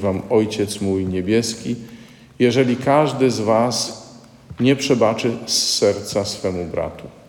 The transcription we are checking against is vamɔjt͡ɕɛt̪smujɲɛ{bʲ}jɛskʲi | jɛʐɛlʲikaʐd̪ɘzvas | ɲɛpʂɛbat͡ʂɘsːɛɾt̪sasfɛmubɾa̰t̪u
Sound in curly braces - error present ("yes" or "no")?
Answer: no